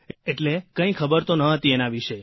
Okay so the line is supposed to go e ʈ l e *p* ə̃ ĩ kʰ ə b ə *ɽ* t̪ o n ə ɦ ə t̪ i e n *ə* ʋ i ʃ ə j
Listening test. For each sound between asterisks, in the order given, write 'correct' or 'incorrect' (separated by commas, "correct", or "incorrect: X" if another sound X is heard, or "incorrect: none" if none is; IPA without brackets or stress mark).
incorrect: k, incorrect: ɾ, incorrect: a